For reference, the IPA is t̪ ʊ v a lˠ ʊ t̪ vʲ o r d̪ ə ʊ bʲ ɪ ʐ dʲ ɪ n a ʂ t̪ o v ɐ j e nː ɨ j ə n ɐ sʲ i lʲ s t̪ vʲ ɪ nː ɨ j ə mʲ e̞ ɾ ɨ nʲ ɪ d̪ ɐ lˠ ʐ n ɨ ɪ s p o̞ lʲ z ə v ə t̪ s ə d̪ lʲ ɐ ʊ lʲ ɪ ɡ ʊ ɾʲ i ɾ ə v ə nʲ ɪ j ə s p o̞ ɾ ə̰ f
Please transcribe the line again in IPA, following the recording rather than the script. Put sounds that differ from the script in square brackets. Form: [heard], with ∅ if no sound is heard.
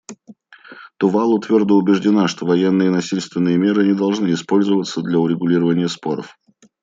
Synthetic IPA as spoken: t̪ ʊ v a lˠ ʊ t̪ vʲ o r d̪ ə ʊ bʲ ɪ ʐ dʲ ɪ n a ʂ t̪ o v ɐ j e nː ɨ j ə n ɐ sʲ i lʲ s t̪ vʲ ɪ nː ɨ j ə mʲ e̞ ɾ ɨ nʲ ɪ d̪ ɐ lˠ ʐ n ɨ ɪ s p o̞ lʲ z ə v ə t̪ s ə d̪ lʲ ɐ ʊ [ɾʲ] ɪ ɡ ʊ [lʲ] i ɾ ə v ə nʲ ɪ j ə s p o̞ ɾ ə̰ f